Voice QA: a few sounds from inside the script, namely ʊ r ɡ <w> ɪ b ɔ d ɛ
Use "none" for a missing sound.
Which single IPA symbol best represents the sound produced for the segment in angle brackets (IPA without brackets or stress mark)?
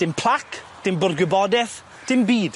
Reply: w